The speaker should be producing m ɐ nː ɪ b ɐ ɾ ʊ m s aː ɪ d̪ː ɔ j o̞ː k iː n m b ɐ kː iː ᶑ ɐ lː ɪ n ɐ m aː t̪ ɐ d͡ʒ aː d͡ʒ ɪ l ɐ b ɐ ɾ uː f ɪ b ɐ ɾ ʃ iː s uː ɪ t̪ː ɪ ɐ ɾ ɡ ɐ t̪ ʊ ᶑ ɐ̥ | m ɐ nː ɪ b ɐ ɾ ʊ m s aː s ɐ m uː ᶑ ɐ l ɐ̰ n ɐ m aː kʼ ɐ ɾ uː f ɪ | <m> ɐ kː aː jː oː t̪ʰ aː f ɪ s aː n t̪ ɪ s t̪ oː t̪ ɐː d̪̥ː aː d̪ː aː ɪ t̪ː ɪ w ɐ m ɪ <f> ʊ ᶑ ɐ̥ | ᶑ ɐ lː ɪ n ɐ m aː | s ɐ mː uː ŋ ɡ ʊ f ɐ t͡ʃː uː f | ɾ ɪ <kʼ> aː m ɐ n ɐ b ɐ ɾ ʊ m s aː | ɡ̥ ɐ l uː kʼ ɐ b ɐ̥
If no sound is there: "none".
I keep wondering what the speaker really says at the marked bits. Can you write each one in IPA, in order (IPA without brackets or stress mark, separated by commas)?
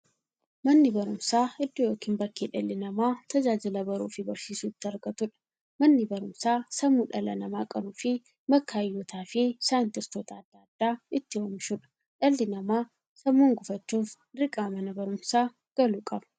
m, ʃ, kʼ